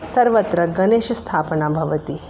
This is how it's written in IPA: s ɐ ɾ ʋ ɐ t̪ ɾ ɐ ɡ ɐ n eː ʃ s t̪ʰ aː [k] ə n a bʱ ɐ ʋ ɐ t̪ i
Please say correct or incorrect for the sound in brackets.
incorrect